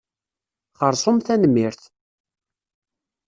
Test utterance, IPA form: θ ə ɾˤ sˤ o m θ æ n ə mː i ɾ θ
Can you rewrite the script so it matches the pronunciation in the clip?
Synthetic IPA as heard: χ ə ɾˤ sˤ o m θ æ n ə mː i ɾ θ